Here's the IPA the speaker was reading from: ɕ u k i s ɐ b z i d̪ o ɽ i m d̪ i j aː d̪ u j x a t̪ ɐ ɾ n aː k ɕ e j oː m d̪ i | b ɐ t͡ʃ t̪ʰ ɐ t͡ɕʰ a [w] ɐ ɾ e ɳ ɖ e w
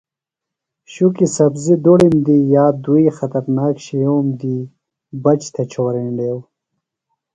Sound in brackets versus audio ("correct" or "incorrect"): correct